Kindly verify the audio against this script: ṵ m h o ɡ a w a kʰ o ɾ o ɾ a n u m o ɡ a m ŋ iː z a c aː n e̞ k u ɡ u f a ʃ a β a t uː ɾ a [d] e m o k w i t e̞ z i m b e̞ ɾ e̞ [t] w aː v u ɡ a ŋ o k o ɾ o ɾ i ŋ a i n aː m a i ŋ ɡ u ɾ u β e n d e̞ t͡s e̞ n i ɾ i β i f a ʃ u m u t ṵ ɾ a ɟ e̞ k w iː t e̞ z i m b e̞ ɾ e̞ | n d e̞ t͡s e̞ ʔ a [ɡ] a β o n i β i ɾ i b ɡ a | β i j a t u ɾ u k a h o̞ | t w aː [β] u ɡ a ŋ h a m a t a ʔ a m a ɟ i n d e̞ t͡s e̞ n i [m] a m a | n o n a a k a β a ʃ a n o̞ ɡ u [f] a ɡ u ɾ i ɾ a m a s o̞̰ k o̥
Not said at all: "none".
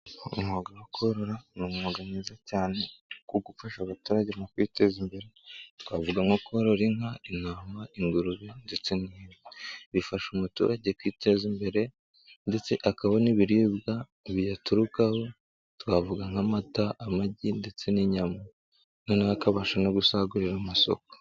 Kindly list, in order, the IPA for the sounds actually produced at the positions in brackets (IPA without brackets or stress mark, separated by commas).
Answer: ɟ, t, k, v, ɲ, s